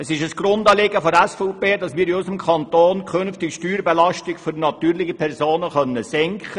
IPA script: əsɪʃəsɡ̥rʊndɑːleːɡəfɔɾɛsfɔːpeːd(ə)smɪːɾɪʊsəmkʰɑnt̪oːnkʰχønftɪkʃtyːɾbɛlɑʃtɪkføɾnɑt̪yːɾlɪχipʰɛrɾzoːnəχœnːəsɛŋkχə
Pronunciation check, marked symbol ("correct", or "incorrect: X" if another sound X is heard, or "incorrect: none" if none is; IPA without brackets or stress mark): incorrect: ɑ